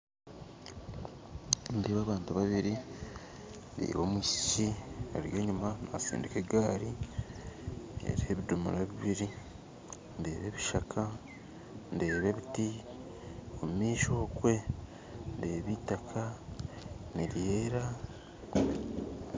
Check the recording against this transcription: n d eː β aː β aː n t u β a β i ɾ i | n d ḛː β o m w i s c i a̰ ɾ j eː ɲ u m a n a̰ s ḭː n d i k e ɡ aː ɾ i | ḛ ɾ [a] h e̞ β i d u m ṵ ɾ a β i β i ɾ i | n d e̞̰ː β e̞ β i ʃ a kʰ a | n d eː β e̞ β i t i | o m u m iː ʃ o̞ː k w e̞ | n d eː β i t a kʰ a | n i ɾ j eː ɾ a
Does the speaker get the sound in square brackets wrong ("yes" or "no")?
yes